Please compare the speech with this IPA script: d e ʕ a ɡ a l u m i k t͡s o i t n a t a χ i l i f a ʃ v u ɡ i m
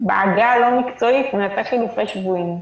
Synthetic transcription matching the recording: b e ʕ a ɡ a l o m i k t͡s o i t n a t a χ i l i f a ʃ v u i m